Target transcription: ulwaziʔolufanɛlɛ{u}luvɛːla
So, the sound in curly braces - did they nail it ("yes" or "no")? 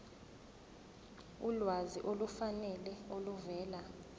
no